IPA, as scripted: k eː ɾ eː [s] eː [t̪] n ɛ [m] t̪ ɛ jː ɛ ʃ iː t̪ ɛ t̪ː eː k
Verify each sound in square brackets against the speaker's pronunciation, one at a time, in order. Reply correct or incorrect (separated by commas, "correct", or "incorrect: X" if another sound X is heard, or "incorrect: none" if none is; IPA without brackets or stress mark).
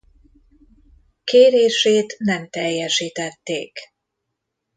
incorrect: ʃ, correct, correct